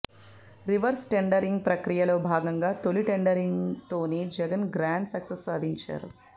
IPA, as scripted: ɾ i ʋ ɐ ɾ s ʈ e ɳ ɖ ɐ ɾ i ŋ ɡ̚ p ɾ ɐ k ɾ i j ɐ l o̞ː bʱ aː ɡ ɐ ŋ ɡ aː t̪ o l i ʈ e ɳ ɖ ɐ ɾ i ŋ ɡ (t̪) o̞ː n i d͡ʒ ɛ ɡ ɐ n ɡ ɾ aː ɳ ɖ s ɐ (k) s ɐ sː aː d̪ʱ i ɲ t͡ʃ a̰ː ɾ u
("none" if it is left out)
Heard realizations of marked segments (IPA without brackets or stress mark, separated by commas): t̪, k